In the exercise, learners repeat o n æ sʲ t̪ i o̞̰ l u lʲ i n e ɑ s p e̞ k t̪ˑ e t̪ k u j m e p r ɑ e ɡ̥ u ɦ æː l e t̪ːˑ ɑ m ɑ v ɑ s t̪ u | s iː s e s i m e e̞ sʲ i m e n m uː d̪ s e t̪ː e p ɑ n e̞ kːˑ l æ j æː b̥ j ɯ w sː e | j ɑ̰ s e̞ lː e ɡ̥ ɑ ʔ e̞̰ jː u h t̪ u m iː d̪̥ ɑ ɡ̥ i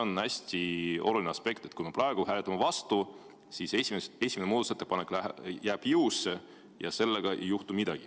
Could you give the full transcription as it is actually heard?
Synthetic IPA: o n æ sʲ t̪ i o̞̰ l u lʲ i n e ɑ s p e̞ k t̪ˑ e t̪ k u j m e p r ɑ e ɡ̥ u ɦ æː l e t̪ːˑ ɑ m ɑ v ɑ s t̪ u | s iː s e s i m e e̞ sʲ i m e n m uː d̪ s e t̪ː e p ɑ n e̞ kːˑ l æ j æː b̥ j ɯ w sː e | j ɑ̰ s e̞ lː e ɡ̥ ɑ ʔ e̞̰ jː u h t̪ u m i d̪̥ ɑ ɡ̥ i